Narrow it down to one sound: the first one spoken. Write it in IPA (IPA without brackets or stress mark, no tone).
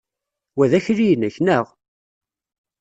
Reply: w